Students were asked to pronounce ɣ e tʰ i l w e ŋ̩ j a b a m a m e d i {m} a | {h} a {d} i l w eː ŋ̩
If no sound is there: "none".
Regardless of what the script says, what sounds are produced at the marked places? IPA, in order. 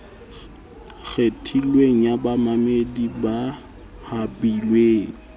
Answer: b, h, b

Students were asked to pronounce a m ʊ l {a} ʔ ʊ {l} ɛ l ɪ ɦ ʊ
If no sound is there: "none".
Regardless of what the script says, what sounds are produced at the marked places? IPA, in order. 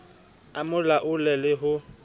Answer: a, l

